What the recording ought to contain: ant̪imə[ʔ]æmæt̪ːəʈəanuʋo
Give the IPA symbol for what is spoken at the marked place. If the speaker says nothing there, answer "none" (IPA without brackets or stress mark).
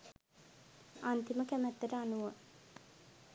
k